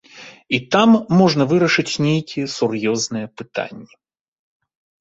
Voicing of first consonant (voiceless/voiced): voiceless